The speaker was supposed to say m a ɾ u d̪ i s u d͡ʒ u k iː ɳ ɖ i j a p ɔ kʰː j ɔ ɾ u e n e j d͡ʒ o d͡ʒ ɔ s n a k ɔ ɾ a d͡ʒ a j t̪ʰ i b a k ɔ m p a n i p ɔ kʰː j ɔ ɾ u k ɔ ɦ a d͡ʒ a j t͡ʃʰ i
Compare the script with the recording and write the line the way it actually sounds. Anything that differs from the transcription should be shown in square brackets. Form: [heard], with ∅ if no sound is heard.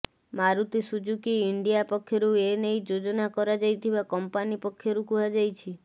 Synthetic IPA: m a ɾ u [t̪] i s u d͡ʒ u k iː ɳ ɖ i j a p ɔ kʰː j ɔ ɾ u e n e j d͡ʒ o d͡ʒ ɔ [∅] n a k ɔ ɾ a d͡ʒ a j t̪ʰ i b a k ɔ m p a n i p ɔ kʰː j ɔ ɾ u k [u] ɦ a d͡ʒ a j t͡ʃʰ i